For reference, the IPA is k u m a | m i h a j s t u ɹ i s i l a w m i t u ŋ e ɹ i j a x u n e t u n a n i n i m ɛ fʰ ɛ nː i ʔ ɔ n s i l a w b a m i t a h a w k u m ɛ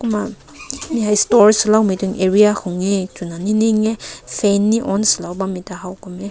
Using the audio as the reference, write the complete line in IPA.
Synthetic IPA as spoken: k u m a | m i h a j s t ɔ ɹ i s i l a w m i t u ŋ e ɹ i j a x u ŋ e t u n a n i n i ŋ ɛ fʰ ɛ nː i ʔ ɔ n s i l a w b a m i t a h a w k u m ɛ